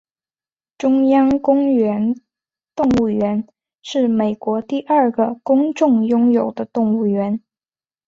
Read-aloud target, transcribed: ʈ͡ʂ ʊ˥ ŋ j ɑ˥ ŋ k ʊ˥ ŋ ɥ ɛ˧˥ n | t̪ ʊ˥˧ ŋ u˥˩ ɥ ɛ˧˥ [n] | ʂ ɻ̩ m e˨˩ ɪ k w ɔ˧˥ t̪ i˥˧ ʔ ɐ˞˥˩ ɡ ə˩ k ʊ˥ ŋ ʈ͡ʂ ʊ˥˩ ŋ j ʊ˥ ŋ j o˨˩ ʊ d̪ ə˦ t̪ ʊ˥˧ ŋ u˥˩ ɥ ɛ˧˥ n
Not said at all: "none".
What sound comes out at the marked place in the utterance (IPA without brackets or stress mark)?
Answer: n